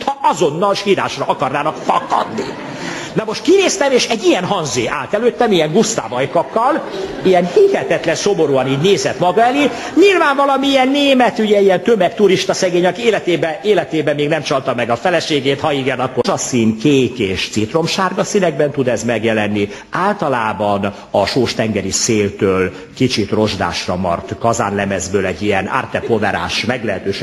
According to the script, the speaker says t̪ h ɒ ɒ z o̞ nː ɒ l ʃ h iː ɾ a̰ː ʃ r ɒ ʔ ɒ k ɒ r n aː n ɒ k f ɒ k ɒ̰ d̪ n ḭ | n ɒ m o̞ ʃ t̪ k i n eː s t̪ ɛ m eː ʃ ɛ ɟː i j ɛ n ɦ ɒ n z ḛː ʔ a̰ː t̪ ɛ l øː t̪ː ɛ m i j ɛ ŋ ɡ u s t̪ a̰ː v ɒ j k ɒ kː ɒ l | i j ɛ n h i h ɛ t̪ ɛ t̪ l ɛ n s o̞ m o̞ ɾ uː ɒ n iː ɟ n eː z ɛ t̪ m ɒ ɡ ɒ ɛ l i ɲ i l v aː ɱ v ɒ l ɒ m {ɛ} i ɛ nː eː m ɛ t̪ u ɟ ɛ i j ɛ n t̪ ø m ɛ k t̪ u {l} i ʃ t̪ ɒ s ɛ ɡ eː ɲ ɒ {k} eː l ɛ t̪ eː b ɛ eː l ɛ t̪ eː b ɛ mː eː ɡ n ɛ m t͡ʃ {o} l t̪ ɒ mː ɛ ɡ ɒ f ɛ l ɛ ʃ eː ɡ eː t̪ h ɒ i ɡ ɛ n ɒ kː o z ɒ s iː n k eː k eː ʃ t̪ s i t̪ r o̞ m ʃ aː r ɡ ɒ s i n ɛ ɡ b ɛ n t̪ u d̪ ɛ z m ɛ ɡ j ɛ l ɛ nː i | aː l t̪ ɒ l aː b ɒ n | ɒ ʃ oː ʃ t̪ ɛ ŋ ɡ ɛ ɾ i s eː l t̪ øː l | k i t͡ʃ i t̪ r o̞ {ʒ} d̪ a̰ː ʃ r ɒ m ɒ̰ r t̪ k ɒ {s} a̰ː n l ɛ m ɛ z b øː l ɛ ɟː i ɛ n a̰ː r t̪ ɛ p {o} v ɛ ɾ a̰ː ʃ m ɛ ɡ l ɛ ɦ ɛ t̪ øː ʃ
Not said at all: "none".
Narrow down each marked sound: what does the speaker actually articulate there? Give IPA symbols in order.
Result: i, ɾ, k, ɒ, ʒ, z, o

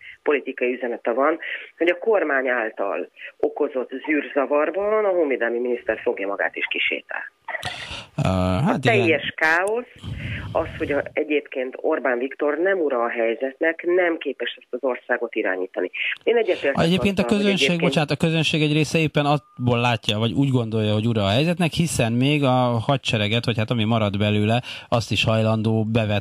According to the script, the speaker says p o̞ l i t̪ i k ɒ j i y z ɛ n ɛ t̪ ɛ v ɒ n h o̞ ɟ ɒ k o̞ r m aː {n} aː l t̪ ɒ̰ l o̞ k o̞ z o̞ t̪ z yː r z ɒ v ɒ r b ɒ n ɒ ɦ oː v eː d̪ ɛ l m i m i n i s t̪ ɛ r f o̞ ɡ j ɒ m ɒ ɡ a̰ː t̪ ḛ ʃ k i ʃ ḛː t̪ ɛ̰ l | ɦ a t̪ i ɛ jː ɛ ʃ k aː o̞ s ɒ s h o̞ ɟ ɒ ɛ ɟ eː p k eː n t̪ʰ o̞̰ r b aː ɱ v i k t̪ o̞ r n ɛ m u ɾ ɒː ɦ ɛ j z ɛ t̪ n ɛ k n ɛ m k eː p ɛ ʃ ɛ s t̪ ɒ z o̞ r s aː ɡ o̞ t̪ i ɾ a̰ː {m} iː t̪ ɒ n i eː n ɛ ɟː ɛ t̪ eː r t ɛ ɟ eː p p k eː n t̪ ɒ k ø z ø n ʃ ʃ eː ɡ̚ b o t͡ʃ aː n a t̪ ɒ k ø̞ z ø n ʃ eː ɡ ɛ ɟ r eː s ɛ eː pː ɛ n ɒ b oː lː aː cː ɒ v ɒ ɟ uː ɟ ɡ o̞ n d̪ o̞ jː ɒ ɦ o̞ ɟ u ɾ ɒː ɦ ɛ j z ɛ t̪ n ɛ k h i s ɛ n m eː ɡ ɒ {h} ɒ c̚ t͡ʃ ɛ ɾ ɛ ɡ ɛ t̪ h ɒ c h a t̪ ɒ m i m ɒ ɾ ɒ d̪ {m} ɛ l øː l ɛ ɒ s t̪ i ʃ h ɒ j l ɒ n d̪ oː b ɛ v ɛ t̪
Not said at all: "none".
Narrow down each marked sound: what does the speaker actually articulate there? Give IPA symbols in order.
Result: ɲ, ɲ, h, b

